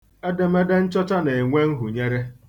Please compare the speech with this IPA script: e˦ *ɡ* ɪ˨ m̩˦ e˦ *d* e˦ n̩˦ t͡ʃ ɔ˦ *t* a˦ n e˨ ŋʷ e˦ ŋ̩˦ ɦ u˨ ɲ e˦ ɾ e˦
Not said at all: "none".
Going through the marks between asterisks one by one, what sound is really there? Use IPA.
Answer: d, d, t͡ʃ

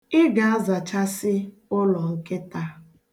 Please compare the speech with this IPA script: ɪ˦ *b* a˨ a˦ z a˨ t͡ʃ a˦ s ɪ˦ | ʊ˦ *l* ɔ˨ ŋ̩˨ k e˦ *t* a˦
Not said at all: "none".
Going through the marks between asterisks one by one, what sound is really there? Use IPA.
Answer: ɡ, l, t

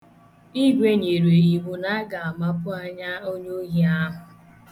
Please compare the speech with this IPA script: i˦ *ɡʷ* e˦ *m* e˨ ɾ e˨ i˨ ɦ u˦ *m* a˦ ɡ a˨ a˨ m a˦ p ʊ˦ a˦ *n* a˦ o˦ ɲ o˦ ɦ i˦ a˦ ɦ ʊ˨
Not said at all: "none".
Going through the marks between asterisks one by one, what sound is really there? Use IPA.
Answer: ɡʷ, ɲ, n, ɲ

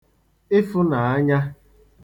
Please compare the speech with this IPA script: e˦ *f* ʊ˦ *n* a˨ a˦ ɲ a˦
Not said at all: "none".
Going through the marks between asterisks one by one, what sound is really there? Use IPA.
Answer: f, n

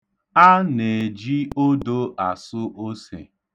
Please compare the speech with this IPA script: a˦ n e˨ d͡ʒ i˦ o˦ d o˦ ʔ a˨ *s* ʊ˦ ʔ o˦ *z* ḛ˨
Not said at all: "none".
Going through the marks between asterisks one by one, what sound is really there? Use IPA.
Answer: s, s

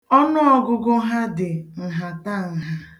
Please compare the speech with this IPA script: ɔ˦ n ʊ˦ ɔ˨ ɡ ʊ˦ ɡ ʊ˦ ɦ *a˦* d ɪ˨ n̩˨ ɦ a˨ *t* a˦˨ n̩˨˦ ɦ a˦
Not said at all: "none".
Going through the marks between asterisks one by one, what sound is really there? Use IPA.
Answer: a˦, t

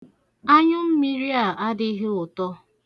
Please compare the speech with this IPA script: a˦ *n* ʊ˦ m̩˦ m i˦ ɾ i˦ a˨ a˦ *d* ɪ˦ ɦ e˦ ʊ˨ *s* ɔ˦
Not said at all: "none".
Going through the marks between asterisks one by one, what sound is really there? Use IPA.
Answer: ɲ, d, t

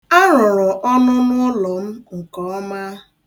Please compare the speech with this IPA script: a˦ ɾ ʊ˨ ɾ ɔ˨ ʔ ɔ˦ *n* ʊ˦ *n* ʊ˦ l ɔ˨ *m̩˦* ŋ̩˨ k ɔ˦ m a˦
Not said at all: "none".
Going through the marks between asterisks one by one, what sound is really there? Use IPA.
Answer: n, n, m̩˦

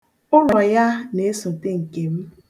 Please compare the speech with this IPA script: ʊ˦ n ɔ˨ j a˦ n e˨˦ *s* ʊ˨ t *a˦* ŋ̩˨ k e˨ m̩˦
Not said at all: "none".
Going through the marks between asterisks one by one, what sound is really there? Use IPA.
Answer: s, e˦

